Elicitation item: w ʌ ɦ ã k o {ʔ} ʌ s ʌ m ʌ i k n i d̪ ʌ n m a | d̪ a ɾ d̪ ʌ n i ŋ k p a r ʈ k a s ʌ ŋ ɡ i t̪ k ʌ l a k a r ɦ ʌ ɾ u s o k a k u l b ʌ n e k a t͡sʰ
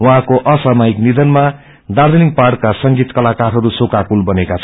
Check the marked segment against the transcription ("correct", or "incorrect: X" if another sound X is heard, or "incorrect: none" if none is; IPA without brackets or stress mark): correct